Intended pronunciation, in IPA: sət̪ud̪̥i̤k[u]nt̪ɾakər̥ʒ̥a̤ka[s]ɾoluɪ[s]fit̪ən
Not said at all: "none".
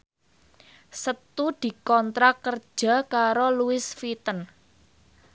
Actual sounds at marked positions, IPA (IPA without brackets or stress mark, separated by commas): ɔ, none, s